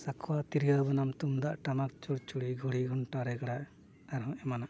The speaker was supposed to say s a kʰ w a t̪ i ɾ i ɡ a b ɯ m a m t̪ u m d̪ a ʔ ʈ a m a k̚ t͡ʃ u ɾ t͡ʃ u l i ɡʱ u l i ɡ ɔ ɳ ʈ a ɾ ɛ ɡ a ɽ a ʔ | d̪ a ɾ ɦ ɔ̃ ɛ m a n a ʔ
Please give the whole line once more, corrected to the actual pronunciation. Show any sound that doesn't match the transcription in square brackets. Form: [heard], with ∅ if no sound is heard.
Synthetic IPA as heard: s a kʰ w a t̪ i ɾ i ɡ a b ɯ [n] a m t̪ u m d̪ a ʔ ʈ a m a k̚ t͡ʃ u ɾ t͡ʃ u [ɽ] i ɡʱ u [ɽ] i ɡ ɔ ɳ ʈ a ɾ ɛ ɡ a ɽ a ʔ | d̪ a ɾ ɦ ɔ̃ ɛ m a n a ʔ